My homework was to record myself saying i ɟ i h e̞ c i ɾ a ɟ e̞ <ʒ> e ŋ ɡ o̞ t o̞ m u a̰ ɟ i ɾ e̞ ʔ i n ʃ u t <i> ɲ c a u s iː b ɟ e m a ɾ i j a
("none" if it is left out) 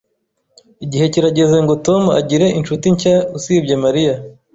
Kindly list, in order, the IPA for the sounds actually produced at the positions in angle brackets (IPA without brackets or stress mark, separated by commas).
z, i